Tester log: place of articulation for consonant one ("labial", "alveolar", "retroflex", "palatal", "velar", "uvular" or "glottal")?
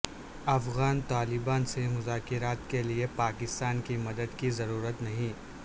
labial